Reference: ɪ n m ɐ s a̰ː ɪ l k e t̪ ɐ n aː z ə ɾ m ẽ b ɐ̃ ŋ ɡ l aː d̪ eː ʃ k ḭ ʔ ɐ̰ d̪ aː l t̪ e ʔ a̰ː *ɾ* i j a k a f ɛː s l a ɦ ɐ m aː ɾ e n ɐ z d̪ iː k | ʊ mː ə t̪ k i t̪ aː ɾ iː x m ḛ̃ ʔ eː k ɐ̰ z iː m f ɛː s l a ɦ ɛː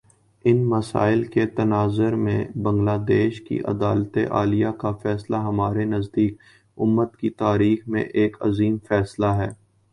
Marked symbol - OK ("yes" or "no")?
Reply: no